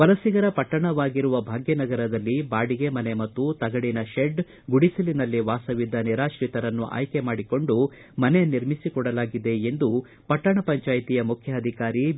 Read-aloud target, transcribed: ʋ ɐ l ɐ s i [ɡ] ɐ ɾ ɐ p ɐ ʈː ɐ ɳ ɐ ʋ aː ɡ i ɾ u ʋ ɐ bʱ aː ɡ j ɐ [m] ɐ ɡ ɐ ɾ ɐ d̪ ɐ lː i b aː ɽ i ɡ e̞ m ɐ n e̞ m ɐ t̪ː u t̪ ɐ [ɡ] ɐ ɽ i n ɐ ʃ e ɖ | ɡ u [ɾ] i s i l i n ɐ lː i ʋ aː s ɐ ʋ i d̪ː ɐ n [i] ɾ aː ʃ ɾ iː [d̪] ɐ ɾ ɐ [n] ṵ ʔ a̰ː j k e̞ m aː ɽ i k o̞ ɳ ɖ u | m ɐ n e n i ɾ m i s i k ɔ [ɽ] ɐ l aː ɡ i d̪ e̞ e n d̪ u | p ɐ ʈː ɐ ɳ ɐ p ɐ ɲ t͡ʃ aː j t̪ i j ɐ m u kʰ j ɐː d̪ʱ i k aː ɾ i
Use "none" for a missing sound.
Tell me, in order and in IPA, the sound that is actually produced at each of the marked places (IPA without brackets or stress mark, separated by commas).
ɡ, n, ɡ, ɽ, i, t̪, nː, ɽ